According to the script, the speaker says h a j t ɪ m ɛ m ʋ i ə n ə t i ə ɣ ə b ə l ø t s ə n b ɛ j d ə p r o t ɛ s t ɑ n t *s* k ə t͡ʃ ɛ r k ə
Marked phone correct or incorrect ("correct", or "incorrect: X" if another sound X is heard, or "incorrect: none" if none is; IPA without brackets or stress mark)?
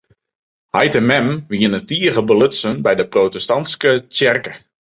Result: correct